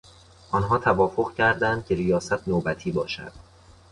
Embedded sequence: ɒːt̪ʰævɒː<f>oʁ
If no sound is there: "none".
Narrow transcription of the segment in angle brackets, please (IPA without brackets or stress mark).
f